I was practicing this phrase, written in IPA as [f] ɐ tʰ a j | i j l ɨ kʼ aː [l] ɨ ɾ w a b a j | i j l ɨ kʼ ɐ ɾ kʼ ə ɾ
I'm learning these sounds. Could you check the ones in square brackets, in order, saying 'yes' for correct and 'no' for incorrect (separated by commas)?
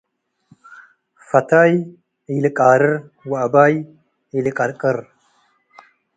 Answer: yes, no